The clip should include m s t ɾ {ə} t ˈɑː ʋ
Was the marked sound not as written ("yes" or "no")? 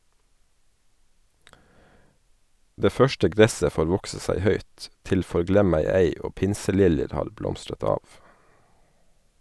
no